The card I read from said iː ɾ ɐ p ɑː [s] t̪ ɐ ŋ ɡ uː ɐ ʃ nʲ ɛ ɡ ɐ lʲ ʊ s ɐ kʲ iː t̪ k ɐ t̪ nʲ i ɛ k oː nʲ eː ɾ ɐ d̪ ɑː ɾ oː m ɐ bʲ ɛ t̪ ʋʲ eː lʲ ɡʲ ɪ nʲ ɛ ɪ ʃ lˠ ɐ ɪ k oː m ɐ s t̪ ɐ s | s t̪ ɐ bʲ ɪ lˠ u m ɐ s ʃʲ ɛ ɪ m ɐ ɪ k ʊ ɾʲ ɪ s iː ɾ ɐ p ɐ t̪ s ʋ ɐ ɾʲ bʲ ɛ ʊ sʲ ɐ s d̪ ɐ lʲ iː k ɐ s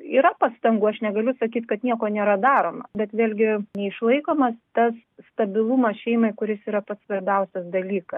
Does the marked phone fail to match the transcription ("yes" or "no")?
no